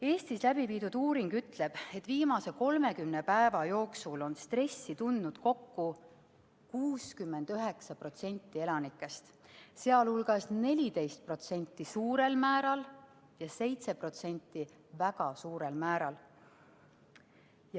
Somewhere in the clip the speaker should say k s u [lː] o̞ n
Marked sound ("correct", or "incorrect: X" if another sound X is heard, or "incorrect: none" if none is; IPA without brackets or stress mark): incorrect: l